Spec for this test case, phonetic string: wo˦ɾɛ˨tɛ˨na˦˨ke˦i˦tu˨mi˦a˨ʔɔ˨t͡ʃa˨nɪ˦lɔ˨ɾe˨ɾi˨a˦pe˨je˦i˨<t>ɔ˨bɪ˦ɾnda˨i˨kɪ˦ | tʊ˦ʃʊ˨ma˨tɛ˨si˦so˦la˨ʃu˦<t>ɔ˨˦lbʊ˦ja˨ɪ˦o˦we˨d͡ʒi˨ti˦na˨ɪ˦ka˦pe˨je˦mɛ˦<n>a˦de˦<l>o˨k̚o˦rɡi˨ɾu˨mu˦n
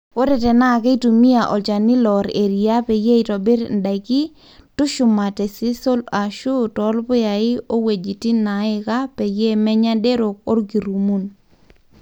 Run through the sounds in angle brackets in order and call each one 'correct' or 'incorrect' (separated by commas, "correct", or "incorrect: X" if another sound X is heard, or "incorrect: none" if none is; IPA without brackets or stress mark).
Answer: correct, correct, incorrect: ɲ, incorrect: ɾ